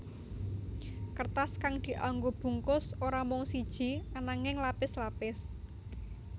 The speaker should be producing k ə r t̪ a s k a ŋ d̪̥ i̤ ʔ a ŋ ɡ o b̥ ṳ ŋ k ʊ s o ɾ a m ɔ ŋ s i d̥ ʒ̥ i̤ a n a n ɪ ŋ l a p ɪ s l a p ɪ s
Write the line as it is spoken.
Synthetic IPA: k ə r t̪ a s k a ŋ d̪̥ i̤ ʔ a ŋ ɡ o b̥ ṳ ŋ k ʊ s o ɾ a m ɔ ŋ s i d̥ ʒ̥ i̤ a n a ŋ ɪ ŋ l a p ɪ s l a p ɪ s